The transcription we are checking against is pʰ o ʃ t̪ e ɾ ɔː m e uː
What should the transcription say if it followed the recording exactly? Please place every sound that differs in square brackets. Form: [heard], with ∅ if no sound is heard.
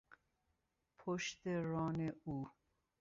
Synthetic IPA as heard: pʰ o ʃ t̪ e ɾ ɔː [n] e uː